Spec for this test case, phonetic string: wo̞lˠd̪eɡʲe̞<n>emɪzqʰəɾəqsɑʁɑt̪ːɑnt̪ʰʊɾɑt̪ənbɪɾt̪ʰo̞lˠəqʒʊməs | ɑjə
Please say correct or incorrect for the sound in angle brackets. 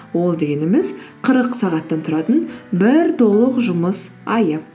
correct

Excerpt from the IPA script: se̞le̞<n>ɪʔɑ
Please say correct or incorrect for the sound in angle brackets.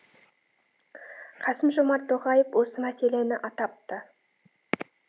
correct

